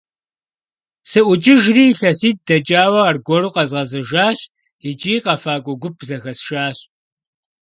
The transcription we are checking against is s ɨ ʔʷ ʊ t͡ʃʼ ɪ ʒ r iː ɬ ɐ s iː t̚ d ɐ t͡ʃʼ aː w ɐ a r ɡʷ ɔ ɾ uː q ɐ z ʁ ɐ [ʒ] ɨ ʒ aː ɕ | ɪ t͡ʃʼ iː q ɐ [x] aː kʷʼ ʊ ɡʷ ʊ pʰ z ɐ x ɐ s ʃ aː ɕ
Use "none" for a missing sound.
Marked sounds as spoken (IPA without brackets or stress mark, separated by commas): z, f